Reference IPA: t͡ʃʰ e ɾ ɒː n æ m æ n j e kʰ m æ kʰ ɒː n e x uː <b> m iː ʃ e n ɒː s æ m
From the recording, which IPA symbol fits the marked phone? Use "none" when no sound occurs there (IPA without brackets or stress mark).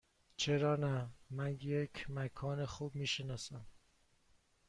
b